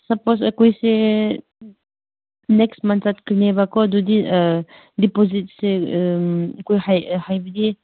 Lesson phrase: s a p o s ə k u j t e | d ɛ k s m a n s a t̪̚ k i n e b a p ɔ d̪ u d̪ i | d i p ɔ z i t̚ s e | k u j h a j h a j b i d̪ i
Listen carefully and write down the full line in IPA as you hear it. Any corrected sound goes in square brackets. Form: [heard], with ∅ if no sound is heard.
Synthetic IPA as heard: s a p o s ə k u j [s] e | [n] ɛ k s m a n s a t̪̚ k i n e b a [k] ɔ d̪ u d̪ i | d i p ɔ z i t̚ s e | k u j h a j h a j b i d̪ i